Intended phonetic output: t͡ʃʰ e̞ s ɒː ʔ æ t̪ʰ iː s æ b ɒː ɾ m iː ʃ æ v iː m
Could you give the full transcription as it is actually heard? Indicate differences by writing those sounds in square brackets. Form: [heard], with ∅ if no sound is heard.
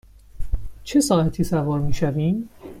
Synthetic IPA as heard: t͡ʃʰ e̞ s ɒː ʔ æ t̪ʰ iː s æ [v] ɒː ɾ m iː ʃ æ v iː m